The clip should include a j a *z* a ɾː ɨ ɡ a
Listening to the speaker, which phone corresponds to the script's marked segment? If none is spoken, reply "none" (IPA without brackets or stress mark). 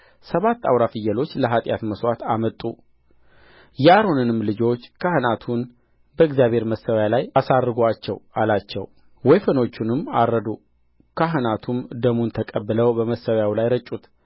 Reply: s